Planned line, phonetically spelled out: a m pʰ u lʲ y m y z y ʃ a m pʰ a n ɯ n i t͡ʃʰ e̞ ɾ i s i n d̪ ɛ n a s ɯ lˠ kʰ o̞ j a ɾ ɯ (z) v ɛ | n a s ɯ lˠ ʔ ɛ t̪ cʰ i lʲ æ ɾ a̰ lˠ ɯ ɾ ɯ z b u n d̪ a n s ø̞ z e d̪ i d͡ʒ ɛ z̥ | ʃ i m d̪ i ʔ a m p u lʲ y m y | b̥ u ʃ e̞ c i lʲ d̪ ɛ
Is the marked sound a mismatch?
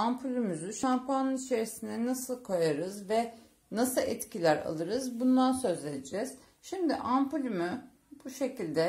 no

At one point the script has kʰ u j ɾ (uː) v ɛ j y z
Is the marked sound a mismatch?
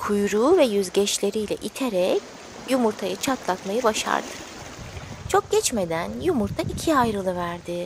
no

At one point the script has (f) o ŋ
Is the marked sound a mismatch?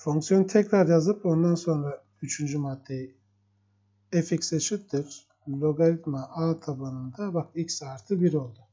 no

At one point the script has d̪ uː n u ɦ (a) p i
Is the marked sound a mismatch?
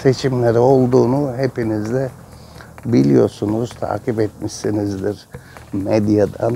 yes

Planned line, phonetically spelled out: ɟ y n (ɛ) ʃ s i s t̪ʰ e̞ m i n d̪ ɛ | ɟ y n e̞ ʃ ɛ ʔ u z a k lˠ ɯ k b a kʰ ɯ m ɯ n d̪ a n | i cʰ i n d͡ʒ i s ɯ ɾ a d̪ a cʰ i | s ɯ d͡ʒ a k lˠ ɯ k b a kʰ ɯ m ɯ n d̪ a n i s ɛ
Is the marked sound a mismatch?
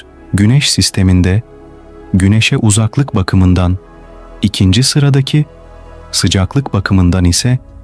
no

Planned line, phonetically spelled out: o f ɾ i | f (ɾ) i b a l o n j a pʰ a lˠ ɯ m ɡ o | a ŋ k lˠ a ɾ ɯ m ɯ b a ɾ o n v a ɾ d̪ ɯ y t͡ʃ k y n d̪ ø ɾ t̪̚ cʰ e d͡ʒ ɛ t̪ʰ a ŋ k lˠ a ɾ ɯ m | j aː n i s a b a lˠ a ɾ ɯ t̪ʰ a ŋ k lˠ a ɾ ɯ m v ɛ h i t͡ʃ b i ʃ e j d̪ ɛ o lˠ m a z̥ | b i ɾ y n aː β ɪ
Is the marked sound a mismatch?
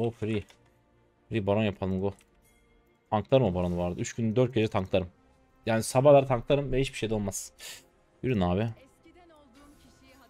no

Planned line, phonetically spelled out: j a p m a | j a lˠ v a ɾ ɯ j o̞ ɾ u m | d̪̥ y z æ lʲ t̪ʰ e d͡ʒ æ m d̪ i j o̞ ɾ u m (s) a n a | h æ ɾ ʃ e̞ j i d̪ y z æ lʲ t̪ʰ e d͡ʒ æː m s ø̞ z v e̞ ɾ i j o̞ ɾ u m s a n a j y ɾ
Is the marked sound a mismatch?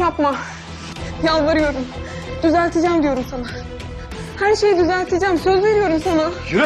no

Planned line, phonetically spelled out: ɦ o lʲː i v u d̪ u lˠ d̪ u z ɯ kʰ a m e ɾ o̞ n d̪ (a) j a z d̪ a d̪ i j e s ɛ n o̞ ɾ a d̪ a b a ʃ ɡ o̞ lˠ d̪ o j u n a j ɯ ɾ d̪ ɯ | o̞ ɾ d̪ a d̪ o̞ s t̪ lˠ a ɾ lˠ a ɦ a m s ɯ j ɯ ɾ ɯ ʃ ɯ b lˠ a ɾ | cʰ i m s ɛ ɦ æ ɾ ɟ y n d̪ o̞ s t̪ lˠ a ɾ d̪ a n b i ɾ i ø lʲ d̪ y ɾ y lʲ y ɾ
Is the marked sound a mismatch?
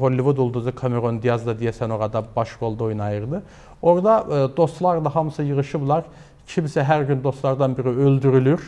yes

